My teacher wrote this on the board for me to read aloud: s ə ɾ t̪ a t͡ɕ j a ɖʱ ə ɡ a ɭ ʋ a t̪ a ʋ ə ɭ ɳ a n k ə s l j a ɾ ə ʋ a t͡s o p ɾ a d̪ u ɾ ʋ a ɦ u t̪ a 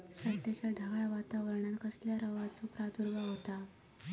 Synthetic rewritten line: s ə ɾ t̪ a t͡ɕ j a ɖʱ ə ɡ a ɭ ʋ a t̪ a ʋ ə ɾ ɳ a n k ə s l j a ɾ ə ʋ a t͡s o p ɾ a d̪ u ɾ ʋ a ɦ o t̪ a